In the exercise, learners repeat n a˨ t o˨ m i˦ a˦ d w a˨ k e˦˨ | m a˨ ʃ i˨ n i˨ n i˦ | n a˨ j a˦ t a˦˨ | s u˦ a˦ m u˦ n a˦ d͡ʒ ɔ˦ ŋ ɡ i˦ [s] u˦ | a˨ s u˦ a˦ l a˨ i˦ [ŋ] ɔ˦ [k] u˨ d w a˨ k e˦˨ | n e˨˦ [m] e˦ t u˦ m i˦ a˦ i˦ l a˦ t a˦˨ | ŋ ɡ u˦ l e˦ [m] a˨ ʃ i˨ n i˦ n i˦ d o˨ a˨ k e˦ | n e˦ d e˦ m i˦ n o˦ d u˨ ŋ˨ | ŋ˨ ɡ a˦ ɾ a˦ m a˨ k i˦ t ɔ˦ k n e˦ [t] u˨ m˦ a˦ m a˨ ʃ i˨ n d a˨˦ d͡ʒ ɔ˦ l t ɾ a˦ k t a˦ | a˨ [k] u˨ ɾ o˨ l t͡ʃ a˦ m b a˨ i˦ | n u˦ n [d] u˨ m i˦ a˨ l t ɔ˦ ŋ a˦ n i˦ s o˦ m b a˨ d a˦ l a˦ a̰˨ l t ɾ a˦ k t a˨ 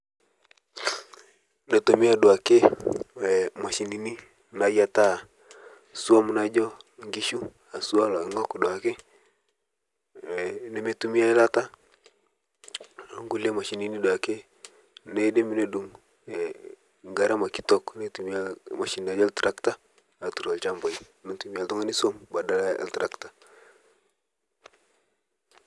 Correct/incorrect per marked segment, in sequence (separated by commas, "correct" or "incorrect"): incorrect, correct, correct, correct, correct, correct, incorrect, incorrect